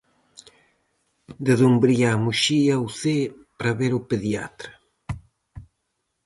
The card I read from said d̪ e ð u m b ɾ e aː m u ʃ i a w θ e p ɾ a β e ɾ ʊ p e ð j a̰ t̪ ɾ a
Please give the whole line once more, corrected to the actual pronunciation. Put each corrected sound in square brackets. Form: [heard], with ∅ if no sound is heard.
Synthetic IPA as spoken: d̪ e ð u m b ɾ [i] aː m u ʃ i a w θ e p ɾ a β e ɾ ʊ p e ð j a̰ t̪ ɾ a